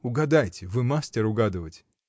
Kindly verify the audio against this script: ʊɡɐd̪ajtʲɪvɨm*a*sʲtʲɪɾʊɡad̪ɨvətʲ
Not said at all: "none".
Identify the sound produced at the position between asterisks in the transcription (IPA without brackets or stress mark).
a